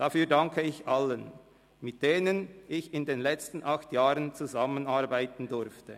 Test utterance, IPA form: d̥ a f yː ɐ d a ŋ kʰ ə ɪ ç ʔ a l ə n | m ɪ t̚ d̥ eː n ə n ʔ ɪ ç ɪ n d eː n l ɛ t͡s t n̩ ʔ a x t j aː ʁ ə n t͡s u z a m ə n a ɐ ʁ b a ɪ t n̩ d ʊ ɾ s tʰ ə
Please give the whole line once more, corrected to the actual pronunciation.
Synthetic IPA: d̥ a f yː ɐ d a ŋ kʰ ə ɪ ç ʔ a l ə n | m ɪ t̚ d̥ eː n ə n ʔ ɪ ç ɪ n d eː n l ɛ t͡s t n̩ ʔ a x t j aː ʁ ə n t͡s u z a m ə n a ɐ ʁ b a ɪ t n̩ d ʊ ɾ f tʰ ə